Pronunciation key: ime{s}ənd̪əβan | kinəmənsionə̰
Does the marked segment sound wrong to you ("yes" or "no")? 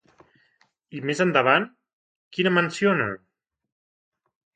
yes